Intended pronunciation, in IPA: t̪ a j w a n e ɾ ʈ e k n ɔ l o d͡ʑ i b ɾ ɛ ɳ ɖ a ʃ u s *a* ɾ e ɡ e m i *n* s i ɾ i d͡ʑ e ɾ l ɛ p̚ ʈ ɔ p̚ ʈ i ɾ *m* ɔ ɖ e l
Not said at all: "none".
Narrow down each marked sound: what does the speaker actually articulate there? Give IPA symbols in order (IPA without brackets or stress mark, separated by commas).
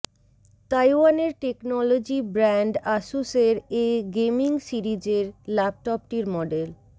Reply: e, ŋ, m